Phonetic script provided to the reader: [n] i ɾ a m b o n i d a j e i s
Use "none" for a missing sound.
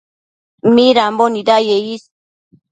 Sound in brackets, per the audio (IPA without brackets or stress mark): m